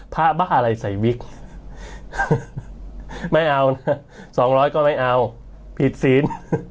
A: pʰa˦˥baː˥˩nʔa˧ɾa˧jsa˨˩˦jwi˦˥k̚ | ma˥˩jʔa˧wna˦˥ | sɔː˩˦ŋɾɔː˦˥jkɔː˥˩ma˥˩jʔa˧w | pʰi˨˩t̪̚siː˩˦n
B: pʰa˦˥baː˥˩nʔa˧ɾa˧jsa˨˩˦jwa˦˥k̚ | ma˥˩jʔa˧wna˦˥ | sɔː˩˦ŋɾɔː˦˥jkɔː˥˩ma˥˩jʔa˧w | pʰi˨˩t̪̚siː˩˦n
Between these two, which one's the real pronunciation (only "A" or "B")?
A